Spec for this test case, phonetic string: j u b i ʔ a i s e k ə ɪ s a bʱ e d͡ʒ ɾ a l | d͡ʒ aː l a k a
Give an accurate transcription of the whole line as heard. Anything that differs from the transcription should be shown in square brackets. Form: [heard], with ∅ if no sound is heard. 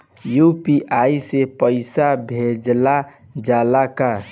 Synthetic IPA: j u [p] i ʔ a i s e [p] ə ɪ s a bʱ e d͡ʒ [l] a [∅] | d͡ʒ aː l a k a